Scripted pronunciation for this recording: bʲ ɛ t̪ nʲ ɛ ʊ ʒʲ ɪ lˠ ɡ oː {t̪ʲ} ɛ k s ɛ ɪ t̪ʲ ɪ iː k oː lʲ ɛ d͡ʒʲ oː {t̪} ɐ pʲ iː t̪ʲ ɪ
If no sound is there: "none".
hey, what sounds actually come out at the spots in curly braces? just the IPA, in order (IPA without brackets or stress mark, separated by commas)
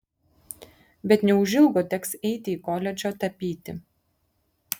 t̪ʲ, t̪